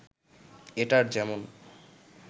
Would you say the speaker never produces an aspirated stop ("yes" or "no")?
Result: yes